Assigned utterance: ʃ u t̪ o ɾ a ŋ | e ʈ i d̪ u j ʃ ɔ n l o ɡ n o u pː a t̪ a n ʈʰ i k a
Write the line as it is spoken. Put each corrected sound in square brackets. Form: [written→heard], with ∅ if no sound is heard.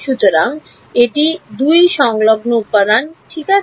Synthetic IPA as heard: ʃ u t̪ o ɾ a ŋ | e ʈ i d̪ u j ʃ ɔ [n→ŋ] l o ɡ n o u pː a [t̪→d̪] a n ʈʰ i k a